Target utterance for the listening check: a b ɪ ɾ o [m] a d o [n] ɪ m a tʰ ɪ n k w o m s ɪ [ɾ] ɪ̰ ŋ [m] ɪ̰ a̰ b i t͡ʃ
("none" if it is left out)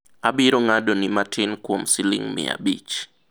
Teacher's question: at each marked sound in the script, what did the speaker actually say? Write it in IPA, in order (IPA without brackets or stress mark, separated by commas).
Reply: ŋ, n, l, m